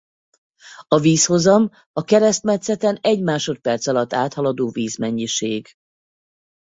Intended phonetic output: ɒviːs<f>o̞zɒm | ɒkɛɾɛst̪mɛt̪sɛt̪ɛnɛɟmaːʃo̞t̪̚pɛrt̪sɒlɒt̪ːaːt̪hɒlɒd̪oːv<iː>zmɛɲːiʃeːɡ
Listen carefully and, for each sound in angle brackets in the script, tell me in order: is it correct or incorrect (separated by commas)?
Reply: incorrect, correct